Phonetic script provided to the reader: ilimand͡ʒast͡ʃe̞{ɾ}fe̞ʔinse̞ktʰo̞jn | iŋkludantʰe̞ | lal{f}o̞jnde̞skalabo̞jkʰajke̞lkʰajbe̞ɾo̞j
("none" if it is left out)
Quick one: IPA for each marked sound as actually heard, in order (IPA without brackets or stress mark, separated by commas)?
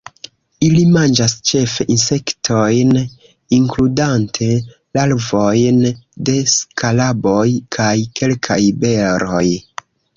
none, v